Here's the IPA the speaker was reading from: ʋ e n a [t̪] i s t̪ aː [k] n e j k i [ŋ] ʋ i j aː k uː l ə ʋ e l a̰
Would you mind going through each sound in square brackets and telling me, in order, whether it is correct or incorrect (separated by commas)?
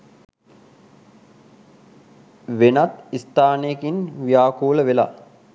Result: correct, incorrect, incorrect